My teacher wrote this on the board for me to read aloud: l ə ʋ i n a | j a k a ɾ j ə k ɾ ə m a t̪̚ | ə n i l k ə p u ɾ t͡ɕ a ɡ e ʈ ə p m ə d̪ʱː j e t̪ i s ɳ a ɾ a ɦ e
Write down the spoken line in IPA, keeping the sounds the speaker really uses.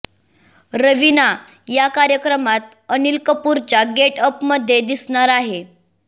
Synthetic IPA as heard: ɾ ə ʋ i n a | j a k a ɾ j ə k ɾ ə m a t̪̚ | ə n i l k ə p u ɾ t͡ɕ a ɡ e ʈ ə p m ə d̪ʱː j e d̪ i s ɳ a ɾ a ɦ e